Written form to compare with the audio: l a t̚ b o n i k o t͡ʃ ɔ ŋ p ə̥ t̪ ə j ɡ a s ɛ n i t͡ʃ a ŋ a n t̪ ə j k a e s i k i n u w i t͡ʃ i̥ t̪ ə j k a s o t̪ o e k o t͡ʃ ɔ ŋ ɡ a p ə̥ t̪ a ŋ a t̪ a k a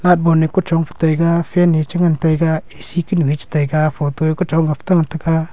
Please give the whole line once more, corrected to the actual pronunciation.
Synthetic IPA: l a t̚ b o n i k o t͡ʃ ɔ ŋ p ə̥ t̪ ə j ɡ a f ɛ n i t͡ʃ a ŋ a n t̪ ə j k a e s i k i n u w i t͡ʃ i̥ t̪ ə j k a f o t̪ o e k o t͡ʃ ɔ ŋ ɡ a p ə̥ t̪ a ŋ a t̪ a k a